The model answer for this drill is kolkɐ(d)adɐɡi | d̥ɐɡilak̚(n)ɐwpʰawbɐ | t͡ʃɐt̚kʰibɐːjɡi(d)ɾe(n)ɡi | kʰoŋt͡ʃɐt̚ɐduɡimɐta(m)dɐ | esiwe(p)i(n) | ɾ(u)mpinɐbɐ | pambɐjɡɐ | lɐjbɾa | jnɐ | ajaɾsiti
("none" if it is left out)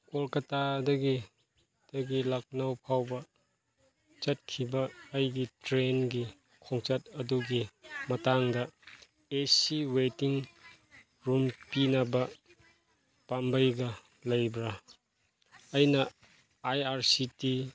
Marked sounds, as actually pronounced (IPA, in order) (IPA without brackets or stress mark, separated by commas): t, n, t, n, ŋ, t, ŋ, u